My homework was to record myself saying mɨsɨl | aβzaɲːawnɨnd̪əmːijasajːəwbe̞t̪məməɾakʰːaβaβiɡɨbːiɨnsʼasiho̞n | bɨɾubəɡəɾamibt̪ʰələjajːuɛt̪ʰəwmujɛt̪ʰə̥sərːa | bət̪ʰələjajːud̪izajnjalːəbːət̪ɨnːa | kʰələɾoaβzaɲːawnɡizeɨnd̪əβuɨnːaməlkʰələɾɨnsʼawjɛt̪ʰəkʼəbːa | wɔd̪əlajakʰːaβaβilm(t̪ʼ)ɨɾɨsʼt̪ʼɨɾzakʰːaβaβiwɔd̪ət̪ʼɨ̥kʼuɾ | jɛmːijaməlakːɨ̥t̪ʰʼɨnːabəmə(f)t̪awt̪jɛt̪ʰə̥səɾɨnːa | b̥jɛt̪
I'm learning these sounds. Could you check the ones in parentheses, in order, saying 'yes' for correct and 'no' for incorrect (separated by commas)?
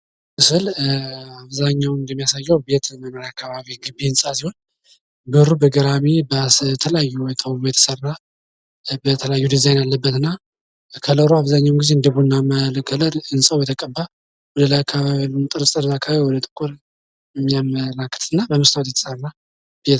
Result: yes, no